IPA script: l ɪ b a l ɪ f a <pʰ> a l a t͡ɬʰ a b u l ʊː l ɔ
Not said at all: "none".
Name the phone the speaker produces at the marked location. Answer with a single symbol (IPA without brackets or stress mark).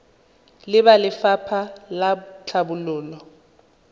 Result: pʰ